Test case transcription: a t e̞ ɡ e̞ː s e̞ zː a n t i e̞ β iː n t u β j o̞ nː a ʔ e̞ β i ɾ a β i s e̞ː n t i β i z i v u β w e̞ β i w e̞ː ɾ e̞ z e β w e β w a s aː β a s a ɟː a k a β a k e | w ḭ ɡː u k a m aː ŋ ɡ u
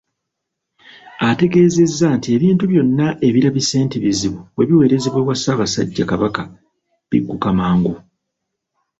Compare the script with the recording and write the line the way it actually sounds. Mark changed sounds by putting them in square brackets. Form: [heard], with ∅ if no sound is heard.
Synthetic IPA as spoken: a t e̞ ɡ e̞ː [z] e̞ zː a n t i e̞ β iː n t u β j o̞ nː a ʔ e̞ β i ɾ a β i s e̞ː n t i β i z i [β] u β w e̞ β i w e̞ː ɾ e̞ z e β w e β w a s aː β a s a ɟː a k a β a k [a] | [β] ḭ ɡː u k a m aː ŋ ɡ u